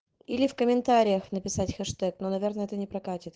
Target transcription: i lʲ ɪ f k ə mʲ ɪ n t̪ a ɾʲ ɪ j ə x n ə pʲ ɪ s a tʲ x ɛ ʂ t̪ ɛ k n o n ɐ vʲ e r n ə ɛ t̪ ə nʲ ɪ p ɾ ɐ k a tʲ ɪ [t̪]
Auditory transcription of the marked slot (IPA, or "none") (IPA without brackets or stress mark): t̪